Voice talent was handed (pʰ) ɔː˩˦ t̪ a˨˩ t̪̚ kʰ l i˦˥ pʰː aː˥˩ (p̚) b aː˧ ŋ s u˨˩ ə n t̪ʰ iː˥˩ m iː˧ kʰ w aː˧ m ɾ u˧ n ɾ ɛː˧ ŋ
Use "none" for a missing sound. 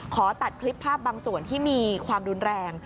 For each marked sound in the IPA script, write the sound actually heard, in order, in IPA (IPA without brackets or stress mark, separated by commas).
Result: kʰ, p̚